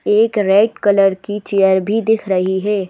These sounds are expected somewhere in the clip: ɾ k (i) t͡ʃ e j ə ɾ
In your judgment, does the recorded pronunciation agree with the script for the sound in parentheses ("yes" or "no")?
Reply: yes